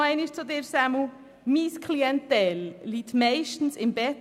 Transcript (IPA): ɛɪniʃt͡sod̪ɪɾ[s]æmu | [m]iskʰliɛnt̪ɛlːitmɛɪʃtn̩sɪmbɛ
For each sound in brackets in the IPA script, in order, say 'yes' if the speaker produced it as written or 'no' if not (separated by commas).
yes, yes